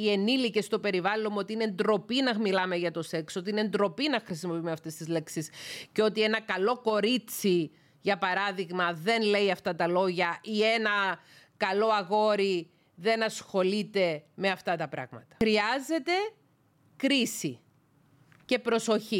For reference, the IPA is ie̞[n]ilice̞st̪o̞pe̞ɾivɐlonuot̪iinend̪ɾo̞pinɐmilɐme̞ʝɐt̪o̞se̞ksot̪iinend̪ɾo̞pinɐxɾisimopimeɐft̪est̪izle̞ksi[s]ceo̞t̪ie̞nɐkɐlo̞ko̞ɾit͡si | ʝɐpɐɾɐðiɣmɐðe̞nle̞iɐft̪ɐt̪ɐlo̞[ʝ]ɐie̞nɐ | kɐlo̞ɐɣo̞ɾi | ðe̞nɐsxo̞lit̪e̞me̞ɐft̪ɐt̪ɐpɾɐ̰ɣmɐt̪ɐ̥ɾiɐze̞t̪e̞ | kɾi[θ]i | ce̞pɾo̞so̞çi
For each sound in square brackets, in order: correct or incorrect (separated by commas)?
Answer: correct, correct, correct, incorrect